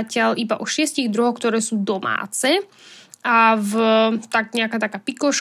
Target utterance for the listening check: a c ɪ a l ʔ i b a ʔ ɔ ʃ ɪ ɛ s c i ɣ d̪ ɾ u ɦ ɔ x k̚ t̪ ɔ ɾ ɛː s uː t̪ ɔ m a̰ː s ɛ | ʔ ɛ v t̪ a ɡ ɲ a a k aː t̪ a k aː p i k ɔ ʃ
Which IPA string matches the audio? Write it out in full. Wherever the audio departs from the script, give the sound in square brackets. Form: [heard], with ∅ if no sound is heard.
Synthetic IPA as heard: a c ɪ a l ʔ i b a ʔ ɔ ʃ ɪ ɛ s c i ɣ d̪ ɾ u ɦ ɔ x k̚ t̪ ɔ ɾ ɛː s uː [d̪] ɔ m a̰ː [t͡s] ɛ | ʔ [a] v t̪ a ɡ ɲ [ɛ] a k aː t̪ a k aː p i k ɔ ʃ